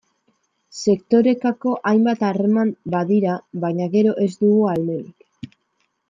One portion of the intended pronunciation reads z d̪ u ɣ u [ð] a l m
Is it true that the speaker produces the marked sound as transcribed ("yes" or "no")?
no